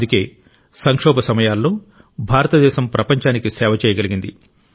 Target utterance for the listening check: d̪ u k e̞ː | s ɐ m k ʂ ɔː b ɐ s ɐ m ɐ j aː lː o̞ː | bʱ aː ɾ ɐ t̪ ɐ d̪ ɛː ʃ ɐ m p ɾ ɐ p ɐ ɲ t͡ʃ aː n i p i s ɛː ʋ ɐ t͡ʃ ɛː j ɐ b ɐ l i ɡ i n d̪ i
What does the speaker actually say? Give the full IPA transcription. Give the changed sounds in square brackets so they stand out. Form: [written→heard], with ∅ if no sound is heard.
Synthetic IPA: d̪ u k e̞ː | s ɐ [m→ŋ] k ʂ ɔː b ɐ s ɐ m ɐ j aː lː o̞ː | bʱ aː ɾ ɐ t̪ ɐ d̪ ɛː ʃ ɐ m p ɾ ɐ p ɐ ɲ t͡ʃ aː n i [p→k] i s ɛː ʋ ɐ t͡ʃ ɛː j ɐ [b→ɡ] ɐ l i ɡ i n d̪ i